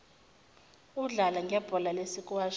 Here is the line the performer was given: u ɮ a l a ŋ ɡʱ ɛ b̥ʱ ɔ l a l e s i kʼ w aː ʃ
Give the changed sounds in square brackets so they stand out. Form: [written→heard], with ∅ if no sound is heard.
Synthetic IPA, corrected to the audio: u ɮ a l a ŋ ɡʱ ɛ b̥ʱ ɔ l a l e s i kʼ w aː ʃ